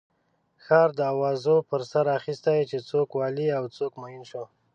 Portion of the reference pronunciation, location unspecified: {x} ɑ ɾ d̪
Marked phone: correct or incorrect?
correct